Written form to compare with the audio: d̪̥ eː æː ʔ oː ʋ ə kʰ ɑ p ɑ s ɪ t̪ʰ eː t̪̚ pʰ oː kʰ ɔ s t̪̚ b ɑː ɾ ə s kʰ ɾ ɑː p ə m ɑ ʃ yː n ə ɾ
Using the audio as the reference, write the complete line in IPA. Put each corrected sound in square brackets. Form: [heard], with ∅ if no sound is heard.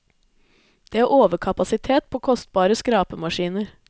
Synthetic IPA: d̪̥ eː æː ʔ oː ʋ ə kʰ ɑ p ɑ s ɪ t̪ʰ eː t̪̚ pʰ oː kʰ ɔ s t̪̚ b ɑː ɾ ə s [k] ɾ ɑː p ə m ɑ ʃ [iː] n ə ɾ